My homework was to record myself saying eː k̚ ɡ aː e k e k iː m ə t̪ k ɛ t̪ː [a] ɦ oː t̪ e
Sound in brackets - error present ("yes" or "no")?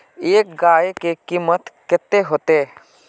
yes